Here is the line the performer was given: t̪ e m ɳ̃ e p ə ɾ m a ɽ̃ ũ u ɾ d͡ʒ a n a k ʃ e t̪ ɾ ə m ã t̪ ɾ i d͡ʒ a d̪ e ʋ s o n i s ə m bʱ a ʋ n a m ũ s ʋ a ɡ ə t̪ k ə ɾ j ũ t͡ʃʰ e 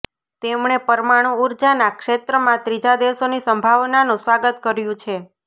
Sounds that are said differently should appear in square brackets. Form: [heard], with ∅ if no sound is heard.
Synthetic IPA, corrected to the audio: t̪ e m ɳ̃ e p ə ɾ m a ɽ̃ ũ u ɾ d͡ʒ a n a k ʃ e t̪ ɾ ə m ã t̪ ɾ i d͡ʒ a d̪ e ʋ s o n i s ə m bʱ a ʋ n a [n] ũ s ʋ a ɡ ə t̪ k ə ɾ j ũ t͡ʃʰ e